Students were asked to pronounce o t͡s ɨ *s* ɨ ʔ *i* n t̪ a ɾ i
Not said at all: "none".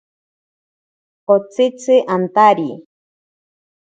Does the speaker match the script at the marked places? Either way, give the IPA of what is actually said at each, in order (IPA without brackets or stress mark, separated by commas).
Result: t͡s, a